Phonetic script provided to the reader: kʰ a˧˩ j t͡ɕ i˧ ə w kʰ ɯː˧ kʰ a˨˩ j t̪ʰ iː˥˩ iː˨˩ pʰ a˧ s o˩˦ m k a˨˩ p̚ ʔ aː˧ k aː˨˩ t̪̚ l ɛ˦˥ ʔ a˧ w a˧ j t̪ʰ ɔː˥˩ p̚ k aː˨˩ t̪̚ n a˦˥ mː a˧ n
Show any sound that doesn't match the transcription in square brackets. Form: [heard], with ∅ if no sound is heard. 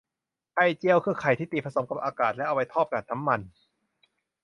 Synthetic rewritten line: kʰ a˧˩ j t͡ɕ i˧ ə w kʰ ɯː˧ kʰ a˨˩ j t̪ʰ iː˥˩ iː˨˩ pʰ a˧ s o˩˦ m k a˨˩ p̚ ʔ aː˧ k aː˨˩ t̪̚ l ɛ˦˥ ʔ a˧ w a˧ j t̪ʰ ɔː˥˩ p̚ k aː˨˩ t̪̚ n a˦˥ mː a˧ n